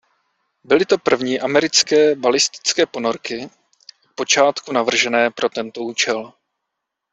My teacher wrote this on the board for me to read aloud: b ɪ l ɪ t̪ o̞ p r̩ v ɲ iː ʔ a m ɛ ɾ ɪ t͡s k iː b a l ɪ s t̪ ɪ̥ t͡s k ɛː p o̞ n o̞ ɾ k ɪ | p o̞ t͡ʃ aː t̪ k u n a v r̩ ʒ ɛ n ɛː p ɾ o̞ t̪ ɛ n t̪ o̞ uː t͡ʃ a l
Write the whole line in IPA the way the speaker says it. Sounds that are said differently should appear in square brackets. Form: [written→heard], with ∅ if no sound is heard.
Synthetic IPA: b ɪ l ɪ t̪ o̞ p r̩ v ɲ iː ʔ a m ɛ ɾ ɪ t͡s k [iː→ɛː] b a l ɪ s t̪ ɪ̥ t͡s k ɛː p o̞ n o̞ ɾ k ɪ | p o̞ t͡ʃ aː t̪ k u n a v r̩ ʒ ɛ n ɛː p ɾ o̞ t̪ ɛ n t̪ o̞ uː t͡ʃ [a→ɛ] l